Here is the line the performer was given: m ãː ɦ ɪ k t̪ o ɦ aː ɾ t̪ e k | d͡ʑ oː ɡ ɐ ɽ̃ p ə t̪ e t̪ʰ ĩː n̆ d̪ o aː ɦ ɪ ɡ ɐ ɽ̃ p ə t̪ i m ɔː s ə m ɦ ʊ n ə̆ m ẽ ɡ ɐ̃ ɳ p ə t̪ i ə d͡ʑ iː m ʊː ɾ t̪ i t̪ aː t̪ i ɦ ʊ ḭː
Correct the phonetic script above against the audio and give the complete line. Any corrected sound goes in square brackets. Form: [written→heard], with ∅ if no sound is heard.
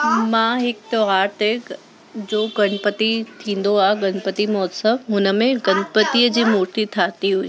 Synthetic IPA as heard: m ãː ɦ ɪ k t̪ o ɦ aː ɾ t̪ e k | d͡ʑ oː ɡ ɐ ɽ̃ p ə t̪ [e→i] t̪ʰ ĩː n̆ d̪ o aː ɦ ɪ ɡ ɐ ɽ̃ p ə t̪ i m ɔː s ə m ɦ ʊ n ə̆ m ẽ ɡ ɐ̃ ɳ p ə t̪ i ə d͡ʑ iː m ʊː ɾ t̪ i [t̪→t̪ʰ] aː t̪ i ɦ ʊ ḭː